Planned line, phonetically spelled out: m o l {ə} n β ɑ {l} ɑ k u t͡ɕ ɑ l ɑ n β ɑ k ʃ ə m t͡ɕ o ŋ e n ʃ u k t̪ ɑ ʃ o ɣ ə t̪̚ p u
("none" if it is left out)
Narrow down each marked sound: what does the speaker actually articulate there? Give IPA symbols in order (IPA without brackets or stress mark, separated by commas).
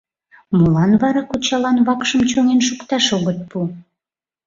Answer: ɑ, ɾ